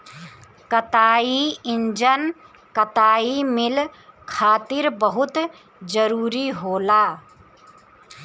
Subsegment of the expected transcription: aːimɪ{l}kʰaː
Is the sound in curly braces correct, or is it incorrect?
correct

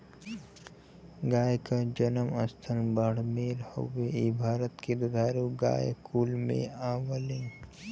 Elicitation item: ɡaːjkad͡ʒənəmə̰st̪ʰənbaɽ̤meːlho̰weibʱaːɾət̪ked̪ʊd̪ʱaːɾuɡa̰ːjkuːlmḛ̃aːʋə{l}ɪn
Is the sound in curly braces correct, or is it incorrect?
correct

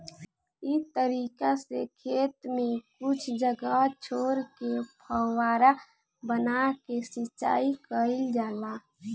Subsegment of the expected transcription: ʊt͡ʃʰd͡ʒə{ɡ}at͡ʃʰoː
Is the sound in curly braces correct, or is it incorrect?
correct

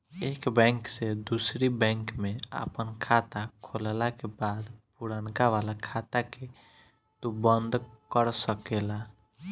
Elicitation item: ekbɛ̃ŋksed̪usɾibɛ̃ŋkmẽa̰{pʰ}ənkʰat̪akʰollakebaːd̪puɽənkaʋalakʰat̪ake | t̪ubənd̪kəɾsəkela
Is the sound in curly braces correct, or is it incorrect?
incorrect: p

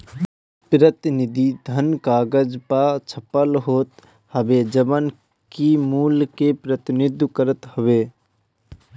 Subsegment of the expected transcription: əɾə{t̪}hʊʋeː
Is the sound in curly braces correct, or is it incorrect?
correct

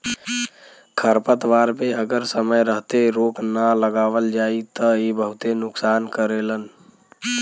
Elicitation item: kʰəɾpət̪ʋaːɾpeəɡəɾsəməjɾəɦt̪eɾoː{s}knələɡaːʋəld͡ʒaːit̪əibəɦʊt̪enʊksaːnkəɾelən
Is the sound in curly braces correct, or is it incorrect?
incorrect: none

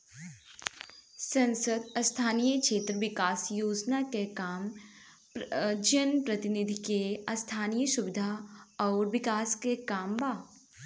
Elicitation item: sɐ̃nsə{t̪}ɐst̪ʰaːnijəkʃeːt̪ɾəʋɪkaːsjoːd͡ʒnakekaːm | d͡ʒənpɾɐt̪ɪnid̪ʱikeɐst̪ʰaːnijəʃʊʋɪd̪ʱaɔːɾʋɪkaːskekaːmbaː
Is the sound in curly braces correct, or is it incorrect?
incorrect: d̪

